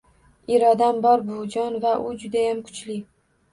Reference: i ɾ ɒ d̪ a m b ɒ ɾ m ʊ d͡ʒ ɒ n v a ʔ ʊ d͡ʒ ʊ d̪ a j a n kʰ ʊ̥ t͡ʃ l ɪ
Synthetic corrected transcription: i ɾ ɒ d̪ a m b ɒ ɾ b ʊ d͡ʒ ɒ n v a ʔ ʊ d͡ʒ ʊ d̪ a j a m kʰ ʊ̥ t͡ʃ l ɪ